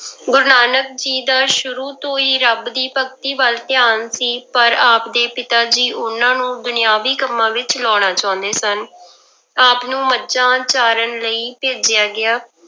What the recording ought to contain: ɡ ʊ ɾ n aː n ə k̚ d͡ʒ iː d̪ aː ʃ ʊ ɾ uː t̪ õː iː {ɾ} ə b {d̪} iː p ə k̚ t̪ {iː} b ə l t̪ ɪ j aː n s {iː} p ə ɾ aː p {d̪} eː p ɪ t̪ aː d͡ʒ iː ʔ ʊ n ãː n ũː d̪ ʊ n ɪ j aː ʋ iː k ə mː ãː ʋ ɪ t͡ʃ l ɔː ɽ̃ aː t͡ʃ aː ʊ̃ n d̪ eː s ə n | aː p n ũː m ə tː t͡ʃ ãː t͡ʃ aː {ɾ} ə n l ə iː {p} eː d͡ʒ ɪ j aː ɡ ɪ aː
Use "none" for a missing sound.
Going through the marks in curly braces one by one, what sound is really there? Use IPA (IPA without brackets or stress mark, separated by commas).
ɾ, d̪, iː, iː, d̪, ɾ, p